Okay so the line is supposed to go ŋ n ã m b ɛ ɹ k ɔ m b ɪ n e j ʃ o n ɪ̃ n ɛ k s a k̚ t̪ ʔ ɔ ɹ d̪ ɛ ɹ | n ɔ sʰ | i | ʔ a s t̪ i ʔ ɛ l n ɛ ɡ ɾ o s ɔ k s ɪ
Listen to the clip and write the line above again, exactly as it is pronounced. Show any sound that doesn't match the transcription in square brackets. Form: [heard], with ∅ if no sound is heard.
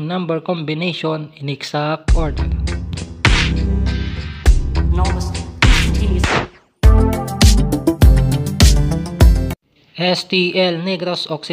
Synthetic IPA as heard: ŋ n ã m b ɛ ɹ k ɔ m b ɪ n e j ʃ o n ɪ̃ n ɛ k s a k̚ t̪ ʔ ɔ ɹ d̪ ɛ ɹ | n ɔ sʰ | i | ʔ [ɛ] s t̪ i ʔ ɛ l n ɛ ɡ ɾ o s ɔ k s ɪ